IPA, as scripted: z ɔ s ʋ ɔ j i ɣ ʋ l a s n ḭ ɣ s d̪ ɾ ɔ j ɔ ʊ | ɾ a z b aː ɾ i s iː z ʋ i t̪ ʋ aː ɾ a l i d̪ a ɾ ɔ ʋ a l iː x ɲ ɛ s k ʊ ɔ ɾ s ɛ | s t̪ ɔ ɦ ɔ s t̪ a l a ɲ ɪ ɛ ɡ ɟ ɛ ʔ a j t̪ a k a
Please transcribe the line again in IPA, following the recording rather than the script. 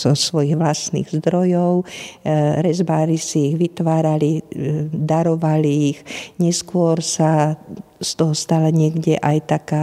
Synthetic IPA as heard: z ɔ s ʋ ɔ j i ɣ ʋ l a s n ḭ ɣ z d̪ ɾ ɔ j ɔ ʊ | ɾ ɛ z b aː ɾ i s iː ɣ ʋ i t̪ ʋ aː ɾ a l i d̪ a ɾ ɔ ʋ a l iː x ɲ ɛ s k ʊ ɔ ɾ s a | s t̪ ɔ ɦ ɔ s t̪ a l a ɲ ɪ ɛ ɡ ɟ ɛ ʔ a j t̪ a k a